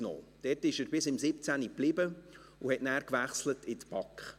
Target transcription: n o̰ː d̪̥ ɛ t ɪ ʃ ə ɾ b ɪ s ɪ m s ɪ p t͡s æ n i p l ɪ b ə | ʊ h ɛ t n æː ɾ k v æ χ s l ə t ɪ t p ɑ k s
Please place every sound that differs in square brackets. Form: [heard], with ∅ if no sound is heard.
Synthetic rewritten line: n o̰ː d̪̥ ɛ t ɪ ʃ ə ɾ b ɪ s ɪ m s ɪ p t͡s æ n i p l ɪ b ə | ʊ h ɛ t n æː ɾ k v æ χ s l ə t ɪ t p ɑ k [χ]